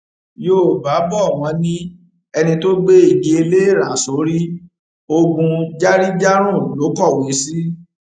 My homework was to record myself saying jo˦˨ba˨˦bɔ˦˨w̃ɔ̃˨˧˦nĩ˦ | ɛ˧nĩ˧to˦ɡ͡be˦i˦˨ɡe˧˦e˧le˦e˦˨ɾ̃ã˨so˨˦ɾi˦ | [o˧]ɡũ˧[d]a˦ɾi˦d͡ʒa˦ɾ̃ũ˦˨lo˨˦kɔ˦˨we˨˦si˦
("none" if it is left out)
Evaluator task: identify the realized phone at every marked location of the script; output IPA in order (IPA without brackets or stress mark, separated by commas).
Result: o˧, d͡ʒ